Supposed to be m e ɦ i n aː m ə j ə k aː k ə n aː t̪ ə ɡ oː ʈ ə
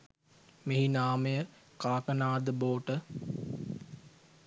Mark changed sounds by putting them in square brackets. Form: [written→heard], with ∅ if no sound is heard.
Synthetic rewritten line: m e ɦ i n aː m ə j ə k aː k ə n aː [t̪→d̪] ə [ɡ→b] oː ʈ ə

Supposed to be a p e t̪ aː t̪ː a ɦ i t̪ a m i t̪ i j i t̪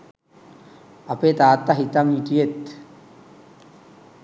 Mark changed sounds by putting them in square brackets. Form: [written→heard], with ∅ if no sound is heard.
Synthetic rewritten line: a p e t̪ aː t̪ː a ɦ i t̪ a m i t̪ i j [i→e] t̪

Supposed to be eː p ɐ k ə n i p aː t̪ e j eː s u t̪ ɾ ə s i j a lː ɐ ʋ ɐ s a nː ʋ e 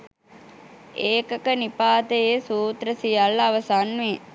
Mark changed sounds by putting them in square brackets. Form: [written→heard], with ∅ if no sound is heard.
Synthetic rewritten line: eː [p→k] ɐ k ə n i p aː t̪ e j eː s [u→uː] t̪ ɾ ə s i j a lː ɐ ʋ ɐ s a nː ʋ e

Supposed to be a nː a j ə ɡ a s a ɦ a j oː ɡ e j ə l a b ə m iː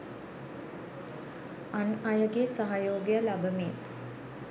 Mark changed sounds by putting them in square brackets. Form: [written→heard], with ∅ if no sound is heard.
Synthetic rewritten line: a [nː→n] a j ə ɡ [a→e] s a ɦ a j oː ɡ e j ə l a b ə m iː

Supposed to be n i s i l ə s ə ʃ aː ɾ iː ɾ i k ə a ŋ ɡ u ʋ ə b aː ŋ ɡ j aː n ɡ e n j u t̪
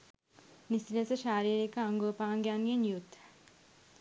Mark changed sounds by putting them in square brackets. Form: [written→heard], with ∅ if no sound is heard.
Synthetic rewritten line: n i s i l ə s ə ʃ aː ɾ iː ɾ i k ə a ŋ ɡ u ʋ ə [b→p] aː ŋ ɡ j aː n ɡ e n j u t̪

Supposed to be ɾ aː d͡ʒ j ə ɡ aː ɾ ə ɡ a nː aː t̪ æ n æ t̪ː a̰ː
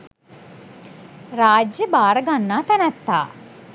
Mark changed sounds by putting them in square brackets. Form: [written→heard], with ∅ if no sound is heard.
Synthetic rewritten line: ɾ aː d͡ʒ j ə [ɡ→b] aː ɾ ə ɡ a nː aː t̪ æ n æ t̪ː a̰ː

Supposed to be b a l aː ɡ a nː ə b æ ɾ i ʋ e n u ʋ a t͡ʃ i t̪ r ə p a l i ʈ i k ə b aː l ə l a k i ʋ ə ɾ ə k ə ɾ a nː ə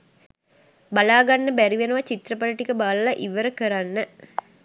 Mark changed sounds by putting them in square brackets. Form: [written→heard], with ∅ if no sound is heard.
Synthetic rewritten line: b a l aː ɡ a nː ə b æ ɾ i ʋ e n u ʋ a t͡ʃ i t̪ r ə p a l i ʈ i k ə b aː l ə l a [k→ʔ] i ʋ ə ɾ ə k ə ɾ a nː ə

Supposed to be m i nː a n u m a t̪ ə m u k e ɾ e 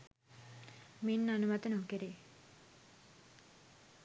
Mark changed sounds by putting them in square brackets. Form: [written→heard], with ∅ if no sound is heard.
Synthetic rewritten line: m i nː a n u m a t̪ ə [m→n] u k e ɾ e

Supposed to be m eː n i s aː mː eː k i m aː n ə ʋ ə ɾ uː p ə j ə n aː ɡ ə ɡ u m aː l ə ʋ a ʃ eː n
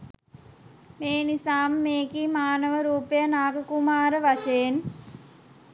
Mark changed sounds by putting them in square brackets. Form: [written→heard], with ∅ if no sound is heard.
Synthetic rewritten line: m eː n i s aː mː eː k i m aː n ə ʋ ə ɾ uː p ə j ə n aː ɡ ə [ɡ→k] u m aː [l→ɾ] ə ʋ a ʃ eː n

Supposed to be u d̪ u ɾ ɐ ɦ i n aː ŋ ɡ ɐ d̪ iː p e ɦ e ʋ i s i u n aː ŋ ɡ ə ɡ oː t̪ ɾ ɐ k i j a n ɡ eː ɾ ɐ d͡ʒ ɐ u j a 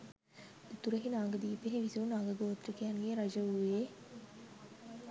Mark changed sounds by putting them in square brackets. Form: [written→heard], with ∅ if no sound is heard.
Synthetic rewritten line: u [d̪→t̪] u ɾ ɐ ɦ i n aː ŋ ɡ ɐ d̪ iː p e ɦ e ʋ i s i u n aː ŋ ɡ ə ɡ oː t̪ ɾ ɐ k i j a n ɡ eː ɾ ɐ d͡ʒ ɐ u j [a→e]

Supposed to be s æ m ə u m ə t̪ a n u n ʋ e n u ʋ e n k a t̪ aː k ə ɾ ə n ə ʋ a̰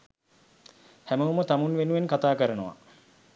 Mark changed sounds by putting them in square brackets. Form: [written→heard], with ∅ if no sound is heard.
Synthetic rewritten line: [s→h] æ m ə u m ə t̪ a [n→m] u n ʋ e n u ʋ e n k a t̪ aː k ə ɾ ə n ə ʋ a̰

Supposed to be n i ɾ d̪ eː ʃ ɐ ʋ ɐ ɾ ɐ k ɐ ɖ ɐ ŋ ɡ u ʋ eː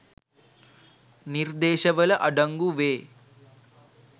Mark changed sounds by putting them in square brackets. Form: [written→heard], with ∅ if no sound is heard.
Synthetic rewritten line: n i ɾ d̪ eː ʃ ɐ ʋ ɐ [ɾ→l] ɐ [k→ʔ] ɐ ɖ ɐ ŋ ɡ u ʋ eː

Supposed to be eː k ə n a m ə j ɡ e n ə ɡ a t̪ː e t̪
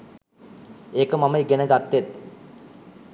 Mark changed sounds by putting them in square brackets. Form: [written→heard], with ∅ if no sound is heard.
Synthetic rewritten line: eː k ə [n→m] a m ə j ɡ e n ə ɡ a t̪ː e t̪

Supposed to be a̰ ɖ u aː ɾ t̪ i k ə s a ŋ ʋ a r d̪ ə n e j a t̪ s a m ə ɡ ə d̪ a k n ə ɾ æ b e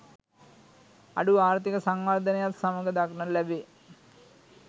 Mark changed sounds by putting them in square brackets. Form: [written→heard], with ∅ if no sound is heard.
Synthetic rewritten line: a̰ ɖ u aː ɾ t̪ i k ə s a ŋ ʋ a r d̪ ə n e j a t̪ s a m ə ɡ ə d̪ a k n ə [ɾ→l] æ b e

